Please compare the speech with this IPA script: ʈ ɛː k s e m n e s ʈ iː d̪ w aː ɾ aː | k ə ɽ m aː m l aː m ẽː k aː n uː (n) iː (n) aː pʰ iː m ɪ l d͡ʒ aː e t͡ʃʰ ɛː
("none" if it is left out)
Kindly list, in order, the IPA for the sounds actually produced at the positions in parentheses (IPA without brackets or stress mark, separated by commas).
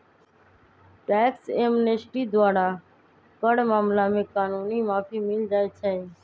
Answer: n, m